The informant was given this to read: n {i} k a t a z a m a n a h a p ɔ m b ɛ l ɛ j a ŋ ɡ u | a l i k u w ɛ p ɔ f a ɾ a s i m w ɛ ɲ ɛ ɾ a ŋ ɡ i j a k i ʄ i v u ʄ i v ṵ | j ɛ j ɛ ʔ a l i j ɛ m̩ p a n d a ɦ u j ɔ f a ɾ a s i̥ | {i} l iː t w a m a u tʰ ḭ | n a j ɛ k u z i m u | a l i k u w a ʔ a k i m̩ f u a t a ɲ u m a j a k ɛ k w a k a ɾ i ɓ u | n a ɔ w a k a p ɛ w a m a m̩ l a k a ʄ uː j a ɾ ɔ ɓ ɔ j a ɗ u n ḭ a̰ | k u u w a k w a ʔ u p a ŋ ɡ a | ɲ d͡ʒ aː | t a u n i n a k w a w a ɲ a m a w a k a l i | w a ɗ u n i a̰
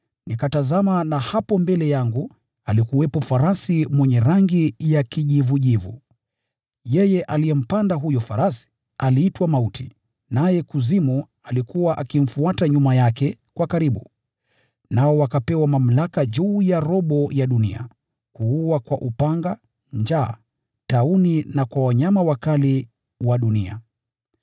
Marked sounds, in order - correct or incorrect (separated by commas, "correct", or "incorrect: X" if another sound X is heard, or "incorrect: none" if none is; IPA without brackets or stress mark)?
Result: correct, incorrect: a